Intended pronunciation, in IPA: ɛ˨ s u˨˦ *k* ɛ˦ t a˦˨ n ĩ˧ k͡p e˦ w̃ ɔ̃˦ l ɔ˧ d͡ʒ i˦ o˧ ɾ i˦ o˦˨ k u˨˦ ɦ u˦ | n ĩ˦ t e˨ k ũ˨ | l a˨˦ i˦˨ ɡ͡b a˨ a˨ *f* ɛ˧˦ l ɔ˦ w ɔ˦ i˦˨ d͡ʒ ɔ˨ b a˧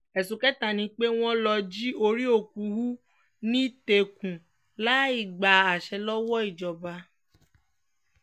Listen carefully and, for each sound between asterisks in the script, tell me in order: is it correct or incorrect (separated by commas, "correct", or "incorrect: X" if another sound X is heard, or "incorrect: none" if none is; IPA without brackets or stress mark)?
correct, incorrect: ʃ